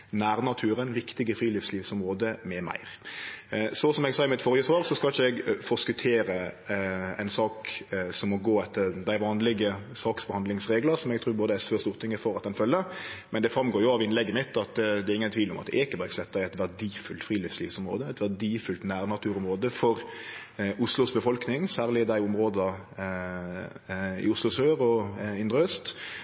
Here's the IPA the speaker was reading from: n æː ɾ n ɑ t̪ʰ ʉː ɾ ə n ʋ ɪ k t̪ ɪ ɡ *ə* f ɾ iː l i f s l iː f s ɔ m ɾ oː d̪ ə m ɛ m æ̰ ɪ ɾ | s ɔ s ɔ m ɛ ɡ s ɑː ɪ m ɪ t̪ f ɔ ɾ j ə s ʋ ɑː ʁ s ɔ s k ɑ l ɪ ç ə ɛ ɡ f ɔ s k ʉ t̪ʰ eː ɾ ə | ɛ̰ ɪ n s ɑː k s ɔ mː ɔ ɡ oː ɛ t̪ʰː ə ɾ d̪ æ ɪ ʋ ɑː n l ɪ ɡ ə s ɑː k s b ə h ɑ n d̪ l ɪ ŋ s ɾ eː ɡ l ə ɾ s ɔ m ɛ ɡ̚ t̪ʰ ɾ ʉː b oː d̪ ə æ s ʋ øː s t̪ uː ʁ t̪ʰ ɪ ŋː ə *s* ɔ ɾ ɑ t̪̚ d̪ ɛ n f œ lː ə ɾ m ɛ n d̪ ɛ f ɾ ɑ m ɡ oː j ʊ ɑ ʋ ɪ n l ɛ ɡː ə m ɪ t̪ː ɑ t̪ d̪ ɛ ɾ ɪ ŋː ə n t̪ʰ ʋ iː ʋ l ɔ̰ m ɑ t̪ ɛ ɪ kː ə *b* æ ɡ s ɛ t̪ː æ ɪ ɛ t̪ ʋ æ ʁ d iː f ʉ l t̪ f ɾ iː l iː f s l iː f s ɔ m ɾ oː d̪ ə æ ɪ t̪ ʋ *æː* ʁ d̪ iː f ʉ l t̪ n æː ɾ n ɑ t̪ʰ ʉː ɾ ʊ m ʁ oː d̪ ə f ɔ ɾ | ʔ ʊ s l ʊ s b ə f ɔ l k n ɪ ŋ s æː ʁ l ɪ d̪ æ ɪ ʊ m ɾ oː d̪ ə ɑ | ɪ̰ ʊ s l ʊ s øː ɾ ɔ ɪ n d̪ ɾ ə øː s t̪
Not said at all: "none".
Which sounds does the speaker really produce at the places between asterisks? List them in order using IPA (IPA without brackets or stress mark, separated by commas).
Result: ə, f, b, æ